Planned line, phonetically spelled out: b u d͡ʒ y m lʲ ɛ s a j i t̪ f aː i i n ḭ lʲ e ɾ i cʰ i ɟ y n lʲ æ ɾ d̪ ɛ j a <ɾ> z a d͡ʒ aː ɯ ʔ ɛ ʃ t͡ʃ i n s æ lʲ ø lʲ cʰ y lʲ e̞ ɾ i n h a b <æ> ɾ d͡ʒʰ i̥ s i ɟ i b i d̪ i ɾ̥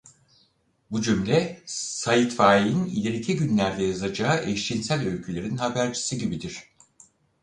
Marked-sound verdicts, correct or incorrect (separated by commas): incorrect, correct